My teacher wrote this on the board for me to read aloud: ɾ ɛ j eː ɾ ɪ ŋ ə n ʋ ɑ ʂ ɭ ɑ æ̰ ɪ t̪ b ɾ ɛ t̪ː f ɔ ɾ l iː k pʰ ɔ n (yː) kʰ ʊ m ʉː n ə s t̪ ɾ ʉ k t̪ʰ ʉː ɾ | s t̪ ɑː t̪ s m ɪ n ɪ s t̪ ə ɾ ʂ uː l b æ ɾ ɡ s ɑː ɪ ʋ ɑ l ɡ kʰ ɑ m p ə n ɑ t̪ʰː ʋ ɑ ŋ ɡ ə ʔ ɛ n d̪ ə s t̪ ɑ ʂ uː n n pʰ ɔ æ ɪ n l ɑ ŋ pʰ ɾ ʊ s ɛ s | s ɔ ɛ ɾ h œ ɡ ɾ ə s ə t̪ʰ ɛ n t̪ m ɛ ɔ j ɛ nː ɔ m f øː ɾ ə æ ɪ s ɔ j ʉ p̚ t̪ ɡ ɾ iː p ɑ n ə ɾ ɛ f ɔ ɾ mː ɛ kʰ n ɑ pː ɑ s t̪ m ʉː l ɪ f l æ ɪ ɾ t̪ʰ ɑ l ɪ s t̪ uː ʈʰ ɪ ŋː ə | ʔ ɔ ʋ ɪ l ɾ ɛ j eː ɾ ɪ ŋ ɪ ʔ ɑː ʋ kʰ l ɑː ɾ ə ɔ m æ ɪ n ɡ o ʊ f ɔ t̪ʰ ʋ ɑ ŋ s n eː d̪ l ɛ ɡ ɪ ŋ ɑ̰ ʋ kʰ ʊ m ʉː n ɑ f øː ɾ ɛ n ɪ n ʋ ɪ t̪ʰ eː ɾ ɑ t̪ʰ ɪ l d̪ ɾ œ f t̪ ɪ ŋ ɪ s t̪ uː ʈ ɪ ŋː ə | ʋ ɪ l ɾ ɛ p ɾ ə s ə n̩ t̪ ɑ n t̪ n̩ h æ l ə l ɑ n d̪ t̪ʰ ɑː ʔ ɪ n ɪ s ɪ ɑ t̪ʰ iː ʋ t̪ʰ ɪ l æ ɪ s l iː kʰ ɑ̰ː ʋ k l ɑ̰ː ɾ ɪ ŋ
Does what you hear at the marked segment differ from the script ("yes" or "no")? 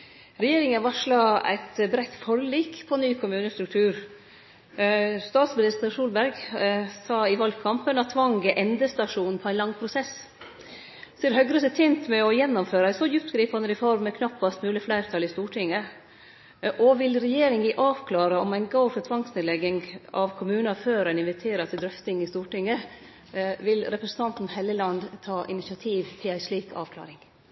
no